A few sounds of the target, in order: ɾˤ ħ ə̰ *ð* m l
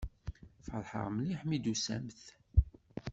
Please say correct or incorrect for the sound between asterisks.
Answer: incorrect: ʁ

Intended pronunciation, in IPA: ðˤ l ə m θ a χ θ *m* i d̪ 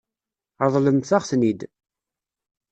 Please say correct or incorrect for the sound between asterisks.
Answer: incorrect: n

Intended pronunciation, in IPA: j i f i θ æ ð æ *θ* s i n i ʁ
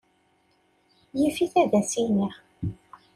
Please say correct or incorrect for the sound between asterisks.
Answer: incorrect: none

